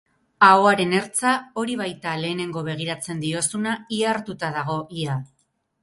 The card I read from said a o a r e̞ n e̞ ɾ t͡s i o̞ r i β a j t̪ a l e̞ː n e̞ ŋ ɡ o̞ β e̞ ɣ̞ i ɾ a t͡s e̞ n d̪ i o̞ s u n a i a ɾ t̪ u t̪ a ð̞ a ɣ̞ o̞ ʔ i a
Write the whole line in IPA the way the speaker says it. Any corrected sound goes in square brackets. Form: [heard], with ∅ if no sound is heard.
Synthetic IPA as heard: a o a [ɾ] e̞ n e̞ ɾ t͡s [a] o̞ [ɾ] i β a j t̪ a l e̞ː n e̞ ŋ ɡ o̞ β e̞ ɣ̞ i ɾ a t͡s e̞ n d̪ i o̞ s u n a i a ɾ t̪ u t̪ a ð̞ a ɣ̞ o̞ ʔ i a